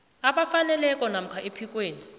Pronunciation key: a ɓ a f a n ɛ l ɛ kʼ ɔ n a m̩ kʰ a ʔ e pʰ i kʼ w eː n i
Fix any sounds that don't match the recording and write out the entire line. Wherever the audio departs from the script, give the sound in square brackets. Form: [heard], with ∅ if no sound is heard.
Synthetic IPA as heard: a ɓ a f a n ɛ l ɛ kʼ ɔ n a m̩ kʰ a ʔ e pʰ i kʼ w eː n i